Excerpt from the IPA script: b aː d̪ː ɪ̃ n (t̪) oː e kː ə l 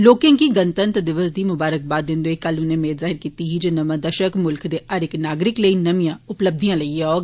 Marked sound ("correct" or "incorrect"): incorrect